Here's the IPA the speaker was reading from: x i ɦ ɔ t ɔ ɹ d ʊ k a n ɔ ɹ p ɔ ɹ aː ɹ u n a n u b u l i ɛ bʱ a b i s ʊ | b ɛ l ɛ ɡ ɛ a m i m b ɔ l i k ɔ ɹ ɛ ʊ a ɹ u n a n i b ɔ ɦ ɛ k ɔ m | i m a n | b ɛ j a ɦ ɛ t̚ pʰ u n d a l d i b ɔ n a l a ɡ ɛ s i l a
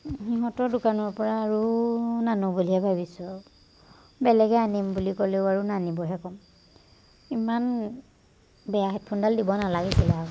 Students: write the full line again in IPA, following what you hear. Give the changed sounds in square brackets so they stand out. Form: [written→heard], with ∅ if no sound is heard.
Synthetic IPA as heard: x i ɦ ɔ t ɔ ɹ d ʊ k a n ɔ ɹ p ɔ ɹ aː ɹ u n a n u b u l i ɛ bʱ a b i s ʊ | b ɛ l ɛ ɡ ɛ a [m→n] i m b [ɔ→u] l i k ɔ [ɹ→l] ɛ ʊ a ɹ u n a n i b ɔ ɦ ɛ k ɔ m | i m a n | b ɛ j a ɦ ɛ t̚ pʰ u n d a l d i b ɔ n a l a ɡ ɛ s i l a

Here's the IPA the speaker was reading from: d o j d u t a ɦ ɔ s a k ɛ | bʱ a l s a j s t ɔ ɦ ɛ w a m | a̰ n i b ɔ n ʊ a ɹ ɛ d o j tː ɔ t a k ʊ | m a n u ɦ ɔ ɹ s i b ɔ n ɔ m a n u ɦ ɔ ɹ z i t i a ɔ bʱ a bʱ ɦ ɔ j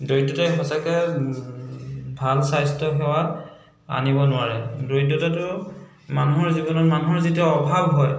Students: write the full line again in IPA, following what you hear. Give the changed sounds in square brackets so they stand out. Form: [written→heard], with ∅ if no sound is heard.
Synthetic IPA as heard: d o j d [u→ɔ] t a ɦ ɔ s a k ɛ | bʱ a l s a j s t ɔ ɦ ɛ w a [m→∅] | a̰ n i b ɔ n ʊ a ɹ ɛ d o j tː ɔ t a [k→t] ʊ | m a n u ɦ ɔ ɹ [s→z] i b ɔ n ɔ m a n u ɦ ɔ ɹ z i t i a ɔ bʱ a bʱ ɦ ɔ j

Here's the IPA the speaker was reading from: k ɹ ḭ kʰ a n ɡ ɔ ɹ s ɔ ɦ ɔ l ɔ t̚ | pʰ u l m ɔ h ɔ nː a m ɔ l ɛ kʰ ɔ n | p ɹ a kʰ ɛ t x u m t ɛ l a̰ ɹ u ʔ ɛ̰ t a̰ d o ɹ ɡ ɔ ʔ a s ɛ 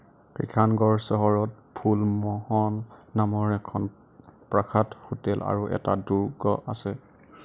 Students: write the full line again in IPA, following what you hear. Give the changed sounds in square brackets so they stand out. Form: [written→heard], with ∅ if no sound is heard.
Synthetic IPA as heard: k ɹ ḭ kʰ a n ɡ ɔ ɹ s ɔ ɦ ɔ [l→ɹ] ɔ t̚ | pʰ u l m ɔ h ɔ nː a m ɔ [l→ɹ] ɛ kʰ ɔ n | p ɹ a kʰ [ɛ→a] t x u [m→∅] t ɛ l a̰ ɹ u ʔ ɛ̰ t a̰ d [o→u] ɹ ɡ ɔ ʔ a s ɛ

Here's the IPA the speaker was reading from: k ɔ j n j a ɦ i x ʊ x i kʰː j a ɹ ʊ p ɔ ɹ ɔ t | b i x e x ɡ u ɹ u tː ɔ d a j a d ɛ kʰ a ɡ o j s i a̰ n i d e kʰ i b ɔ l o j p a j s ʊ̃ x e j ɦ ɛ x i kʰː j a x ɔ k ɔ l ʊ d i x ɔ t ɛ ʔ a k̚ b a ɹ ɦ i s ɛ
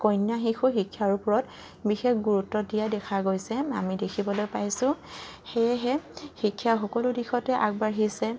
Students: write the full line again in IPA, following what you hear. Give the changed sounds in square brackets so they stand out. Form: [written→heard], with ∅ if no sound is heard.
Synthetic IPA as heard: k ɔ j n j a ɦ i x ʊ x i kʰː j a ɹ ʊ p ɔ ɹ ɔ t | b i x e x ɡ u ɹ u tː ɔ d [a→i] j a d ɛ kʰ a ɡ o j s [i→ɛ] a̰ [n→m] i d e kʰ i b ɔ l o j p a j s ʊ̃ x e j ɦ ɛ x i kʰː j a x ɔ k ɔ l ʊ d i x ɔ t ɛ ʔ a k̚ b a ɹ ɦ i s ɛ

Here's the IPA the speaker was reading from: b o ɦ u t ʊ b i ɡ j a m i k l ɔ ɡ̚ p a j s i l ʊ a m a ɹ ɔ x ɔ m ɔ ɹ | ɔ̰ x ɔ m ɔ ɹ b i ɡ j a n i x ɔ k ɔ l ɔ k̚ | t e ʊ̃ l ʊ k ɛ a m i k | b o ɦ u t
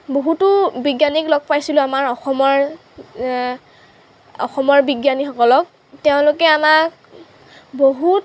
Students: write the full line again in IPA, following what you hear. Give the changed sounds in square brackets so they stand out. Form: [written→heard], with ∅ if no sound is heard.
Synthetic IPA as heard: b o ɦ u t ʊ b i ɡ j a [m→n] i k l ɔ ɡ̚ p a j s i l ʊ a m a ɹ ɔ x ɔ m ɔ ɹ | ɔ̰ x ɔ m ɔ ɹ b i ɡ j a n i x ɔ k ɔ l ɔ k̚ | t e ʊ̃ l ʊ k ɛ a m [i→a] k | b o ɦ u t

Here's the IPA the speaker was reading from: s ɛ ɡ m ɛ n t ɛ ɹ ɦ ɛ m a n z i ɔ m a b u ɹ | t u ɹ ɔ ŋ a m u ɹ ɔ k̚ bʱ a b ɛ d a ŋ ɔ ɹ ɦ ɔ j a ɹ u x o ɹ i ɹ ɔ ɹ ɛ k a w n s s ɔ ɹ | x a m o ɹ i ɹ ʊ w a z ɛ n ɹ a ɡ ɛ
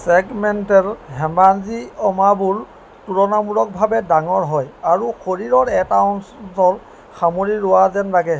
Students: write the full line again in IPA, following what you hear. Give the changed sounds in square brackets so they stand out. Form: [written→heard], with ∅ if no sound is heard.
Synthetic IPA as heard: s ɛ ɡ m ɛ n t ɛ ɹ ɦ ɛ m a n z i ɔ m a b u ɹ | t u ɹ ɔ [ŋ→n] a m u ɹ ɔ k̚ bʱ a b ɛ d a ŋ ɔ ɹ ɦ ɔ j a ɹ u x o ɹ i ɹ ɔ ɹ ɛ [k→t] a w n s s ɔ ɹ | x a m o ɹ i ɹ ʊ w a z ɛ n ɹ a ɡ ɛ

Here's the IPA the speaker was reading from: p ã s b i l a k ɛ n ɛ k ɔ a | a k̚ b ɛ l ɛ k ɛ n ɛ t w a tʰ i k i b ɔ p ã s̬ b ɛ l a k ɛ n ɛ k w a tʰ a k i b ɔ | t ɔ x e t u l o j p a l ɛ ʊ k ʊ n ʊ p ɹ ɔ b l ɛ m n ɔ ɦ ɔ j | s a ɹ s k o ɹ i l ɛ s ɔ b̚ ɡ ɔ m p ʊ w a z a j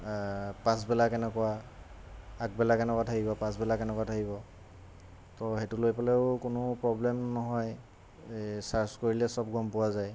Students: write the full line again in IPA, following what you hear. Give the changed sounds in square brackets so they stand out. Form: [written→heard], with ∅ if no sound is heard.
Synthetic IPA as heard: p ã s b [i→ɛ] l a k ɛ n ɛ k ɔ a | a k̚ b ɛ l [ɛ→a] k ɛ n ɛ [t→k] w a tʰ [i→a] k i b ɔ p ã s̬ b ɛ l a k ɛ n ɛ k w a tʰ a k i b ɔ | t ɔ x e t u l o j p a l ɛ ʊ k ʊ n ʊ p ɹ ɔ b l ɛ m n ɔ ɦ ɔ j | s a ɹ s k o ɹ i l ɛ s ɔ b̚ ɡ ɔ m p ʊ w a z a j

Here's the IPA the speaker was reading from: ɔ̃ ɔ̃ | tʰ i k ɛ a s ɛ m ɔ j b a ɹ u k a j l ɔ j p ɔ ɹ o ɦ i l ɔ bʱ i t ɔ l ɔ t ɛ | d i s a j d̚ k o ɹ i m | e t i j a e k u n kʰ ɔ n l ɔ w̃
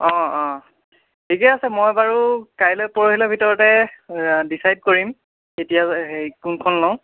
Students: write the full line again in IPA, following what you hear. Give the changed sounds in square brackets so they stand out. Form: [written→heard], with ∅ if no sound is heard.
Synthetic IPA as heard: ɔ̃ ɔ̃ | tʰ i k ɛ a s ɛ m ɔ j b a ɹ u k a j l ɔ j p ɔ ɹ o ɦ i l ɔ bʱ i t ɔ [l→ɹ] ɔ t ɛ | d i s a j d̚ k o ɹ i m | e t i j a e k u n kʰ ɔ n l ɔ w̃

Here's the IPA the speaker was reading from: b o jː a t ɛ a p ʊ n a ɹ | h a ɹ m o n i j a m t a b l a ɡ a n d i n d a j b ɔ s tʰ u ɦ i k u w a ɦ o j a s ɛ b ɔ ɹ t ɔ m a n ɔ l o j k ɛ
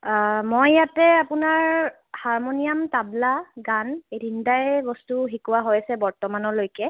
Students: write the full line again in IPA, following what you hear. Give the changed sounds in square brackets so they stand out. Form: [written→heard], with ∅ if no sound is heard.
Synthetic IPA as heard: [b→m] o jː a t ɛ a p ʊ n a ɹ | h a ɹ m o n i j a m t a b l a ɡ a n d i n d a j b ɔ s [tʰ→t] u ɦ i k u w a ɦ o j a s ɛ b ɔ ɹ t ɔ m a n ɔ l o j k ɛ

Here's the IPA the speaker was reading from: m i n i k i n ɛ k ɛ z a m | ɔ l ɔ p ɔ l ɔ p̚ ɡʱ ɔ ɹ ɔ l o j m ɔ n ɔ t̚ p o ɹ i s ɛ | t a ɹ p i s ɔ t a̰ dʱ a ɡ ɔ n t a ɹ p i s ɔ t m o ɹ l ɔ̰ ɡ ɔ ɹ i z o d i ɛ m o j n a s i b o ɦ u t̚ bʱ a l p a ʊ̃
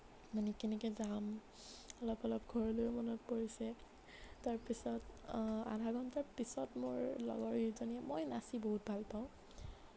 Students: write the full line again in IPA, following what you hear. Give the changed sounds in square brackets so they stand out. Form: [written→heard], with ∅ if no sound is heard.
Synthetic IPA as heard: m [i→a] n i k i n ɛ k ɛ z a m | ɔ l ɔ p ɔ l ɔ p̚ ɡʱ ɔ ɹ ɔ l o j m ɔ n ɔ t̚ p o ɹ i s ɛ | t a ɹ p i s ɔ t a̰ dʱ a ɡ ɔ n t a ɹ p i s ɔ t m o ɹ l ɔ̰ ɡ ɔ ɹ i z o [d→n] i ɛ m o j n a s i b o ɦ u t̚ bʱ a l p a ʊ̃

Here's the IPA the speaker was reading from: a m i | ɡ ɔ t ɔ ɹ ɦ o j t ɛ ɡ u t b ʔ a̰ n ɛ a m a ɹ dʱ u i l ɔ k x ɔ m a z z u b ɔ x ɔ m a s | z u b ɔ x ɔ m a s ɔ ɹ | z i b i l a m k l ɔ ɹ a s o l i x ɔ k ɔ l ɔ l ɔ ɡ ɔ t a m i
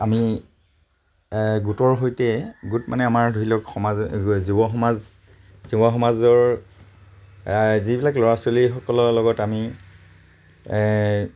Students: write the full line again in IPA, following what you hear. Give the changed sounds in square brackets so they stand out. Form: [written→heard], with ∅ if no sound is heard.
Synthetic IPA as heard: a m i | ɡ [ɔ→u] t ɔ ɹ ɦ o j t ɛ ɡ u t [b→m] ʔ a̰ n ɛ a m a ɹ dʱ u i l ɔ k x ɔ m a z z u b ɔ x ɔ m a [s→z] | z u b ɔ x ɔ m a [s→z] ɔ ɹ | z i b i l a [m→∅] k l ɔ ɹ a s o l i x ɔ k ɔ l ɔ l ɔ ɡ ɔ t a m i

